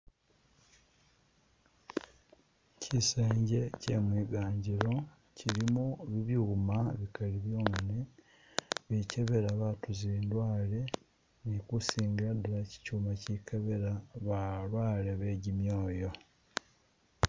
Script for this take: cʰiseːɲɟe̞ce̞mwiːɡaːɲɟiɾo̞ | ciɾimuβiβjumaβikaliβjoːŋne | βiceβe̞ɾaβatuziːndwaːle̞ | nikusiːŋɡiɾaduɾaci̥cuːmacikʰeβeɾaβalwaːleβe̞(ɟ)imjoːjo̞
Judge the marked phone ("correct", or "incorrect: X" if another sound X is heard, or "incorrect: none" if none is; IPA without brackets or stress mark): correct